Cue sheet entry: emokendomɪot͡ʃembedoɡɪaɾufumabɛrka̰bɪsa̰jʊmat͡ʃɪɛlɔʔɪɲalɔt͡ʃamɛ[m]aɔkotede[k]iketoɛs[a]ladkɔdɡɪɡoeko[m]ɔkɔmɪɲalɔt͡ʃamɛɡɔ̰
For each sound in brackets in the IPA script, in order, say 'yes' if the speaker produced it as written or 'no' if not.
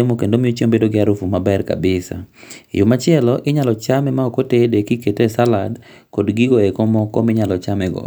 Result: yes, yes, yes, yes

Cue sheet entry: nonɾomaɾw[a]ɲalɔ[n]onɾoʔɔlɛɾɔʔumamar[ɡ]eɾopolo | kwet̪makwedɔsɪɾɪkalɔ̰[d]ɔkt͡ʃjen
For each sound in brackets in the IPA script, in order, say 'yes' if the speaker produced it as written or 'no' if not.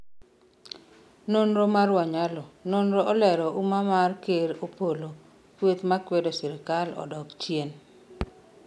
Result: yes, yes, no, yes

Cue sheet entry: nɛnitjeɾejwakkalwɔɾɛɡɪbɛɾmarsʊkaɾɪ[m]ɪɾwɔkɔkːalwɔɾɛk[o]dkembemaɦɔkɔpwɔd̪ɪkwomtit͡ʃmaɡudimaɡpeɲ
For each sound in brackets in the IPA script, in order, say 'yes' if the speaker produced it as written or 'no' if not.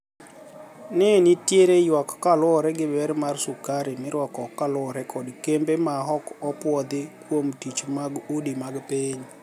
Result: yes, no

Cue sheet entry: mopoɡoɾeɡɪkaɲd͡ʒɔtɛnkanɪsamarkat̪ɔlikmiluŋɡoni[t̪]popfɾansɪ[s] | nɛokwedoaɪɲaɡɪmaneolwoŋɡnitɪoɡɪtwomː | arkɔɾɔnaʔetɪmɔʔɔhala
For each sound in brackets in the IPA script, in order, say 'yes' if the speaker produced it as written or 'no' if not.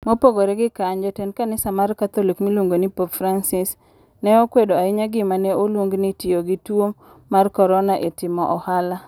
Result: no, yes

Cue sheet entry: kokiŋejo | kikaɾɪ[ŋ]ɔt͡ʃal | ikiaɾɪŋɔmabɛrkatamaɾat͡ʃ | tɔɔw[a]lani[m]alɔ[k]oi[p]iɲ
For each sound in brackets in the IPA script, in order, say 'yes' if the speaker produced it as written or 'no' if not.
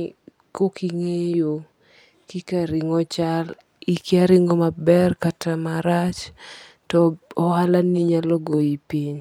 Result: yes, yes, no, no, yes

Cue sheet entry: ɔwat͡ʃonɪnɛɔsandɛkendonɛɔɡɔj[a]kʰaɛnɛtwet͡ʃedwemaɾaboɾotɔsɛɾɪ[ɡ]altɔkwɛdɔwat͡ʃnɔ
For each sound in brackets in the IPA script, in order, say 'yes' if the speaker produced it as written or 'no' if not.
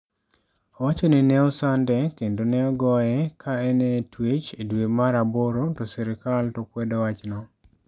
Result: no, no

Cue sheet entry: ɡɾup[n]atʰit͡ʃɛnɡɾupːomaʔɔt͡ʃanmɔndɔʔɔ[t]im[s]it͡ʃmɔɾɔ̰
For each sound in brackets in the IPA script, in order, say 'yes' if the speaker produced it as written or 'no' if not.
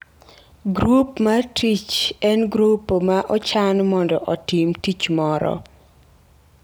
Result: no, yes, no

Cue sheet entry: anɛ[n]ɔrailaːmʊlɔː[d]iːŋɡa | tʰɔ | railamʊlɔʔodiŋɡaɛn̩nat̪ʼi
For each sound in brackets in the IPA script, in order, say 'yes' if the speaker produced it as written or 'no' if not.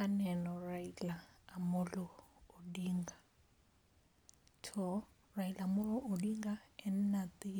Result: yes, yes

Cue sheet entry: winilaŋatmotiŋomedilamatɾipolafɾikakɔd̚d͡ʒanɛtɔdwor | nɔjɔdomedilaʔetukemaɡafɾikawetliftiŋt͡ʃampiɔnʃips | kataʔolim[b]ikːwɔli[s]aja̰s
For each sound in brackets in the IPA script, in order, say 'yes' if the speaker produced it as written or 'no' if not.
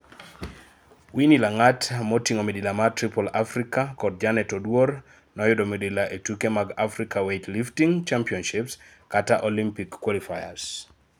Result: no, no

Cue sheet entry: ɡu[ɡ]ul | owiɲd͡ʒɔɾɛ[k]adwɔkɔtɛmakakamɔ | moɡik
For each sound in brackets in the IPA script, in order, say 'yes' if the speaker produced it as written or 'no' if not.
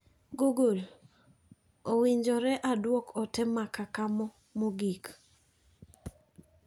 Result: yes, no

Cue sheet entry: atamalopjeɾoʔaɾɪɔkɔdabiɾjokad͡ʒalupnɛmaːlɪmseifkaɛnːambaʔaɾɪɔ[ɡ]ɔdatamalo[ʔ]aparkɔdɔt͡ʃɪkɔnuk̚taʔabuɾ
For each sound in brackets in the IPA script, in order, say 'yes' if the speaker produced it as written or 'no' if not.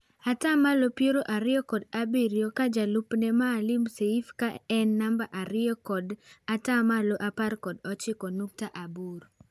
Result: no, yes

